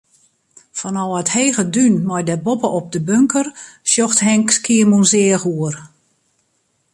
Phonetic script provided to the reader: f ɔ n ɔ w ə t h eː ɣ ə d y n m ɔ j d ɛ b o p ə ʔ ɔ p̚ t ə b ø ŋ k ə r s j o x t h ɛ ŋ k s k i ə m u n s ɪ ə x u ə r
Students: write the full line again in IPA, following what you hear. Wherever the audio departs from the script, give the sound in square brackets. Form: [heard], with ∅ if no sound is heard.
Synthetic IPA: f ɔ n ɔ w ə t h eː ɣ ə d y n m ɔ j d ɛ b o p ə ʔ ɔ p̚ [d] ə b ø ŋ k ə r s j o x t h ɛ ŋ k s k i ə m u n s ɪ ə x u ə r